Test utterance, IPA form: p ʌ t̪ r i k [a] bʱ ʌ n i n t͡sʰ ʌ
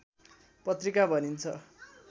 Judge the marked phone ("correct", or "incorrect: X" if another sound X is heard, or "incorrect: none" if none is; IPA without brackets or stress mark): correct